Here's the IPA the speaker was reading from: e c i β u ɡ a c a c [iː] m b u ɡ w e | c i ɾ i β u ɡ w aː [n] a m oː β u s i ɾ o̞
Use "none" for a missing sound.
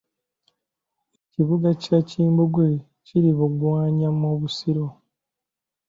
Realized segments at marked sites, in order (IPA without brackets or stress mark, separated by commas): iː, ɲ